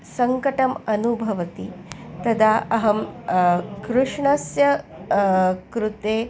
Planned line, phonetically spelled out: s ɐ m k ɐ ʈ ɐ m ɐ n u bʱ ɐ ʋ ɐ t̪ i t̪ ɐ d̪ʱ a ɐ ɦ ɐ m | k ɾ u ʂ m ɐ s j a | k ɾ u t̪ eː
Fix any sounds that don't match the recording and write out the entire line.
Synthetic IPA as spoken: s ɐ ŋ k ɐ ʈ ɐ m ɐ n u bʱ ɐ ʋ ɐ t̪ i t̪ ɐ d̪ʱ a ɐ ɦ ɐ m | k ɾ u ʂ ɳ ɐ s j ɐ | k ɾ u t̪ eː